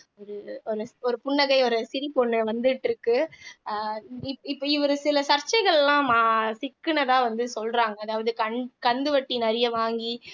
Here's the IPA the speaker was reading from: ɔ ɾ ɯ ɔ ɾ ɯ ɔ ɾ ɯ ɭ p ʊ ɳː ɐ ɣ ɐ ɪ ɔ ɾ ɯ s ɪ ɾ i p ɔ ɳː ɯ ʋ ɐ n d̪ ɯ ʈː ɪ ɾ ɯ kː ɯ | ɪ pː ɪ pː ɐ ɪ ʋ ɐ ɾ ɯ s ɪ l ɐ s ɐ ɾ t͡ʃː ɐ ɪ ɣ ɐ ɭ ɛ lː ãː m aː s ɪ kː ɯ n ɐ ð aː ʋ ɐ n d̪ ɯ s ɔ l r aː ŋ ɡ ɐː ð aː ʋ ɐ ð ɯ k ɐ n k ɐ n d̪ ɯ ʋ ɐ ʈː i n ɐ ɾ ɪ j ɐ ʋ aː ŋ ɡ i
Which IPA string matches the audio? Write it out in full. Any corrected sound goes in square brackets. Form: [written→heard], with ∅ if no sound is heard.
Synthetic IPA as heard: ɔ ɾ ɯ ɔ ɾ ɯ ɔ ɾ ɯ [ɭ→∅] p ʊ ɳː ɐ ɣ ɐ ɪ ɔ ɾ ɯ s ɪ ɾ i p ɔ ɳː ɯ ʋ ɐ n d̪ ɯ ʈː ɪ ɾ ɯ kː ɯ | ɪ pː ɪ pː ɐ ɪ ʋ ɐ ɾ ɯ s ɪ l ɐ s ɐ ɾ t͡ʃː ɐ ɪ ɣ ɐ ɭ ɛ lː ãː m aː s ɪ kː ɯ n ɐ ð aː ʋ ɐ n d̪ ɯ s ɔ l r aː ŋ ɡ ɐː ð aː ʋ ɐ ð ɯ k ɐ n k ɐ n d̪ ɯ ʋ ɐ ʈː i n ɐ ɾ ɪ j ɐ ʋ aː ŋ ɡ i